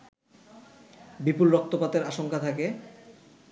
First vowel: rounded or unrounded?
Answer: unrounded